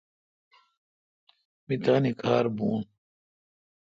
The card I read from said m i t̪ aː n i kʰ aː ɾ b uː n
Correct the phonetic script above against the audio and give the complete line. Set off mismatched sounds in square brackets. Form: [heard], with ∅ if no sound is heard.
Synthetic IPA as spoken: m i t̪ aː n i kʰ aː ɾ b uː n